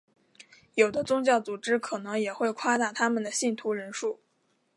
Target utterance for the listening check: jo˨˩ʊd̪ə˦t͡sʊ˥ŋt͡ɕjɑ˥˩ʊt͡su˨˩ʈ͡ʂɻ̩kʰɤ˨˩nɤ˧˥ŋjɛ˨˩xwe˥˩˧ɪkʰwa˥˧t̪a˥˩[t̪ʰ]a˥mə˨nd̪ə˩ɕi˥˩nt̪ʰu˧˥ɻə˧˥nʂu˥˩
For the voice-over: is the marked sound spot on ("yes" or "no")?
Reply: yes